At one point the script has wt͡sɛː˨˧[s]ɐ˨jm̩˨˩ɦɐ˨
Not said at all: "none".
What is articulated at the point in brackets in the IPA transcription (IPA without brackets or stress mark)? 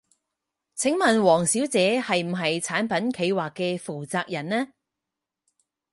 h